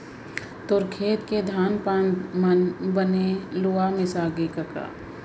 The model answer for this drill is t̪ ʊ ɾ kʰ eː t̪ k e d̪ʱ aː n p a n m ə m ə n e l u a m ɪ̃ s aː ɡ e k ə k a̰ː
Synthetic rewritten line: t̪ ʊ ɾ kʰ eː t̪ k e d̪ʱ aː n p a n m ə b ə n e l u a m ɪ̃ s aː ɡ e k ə k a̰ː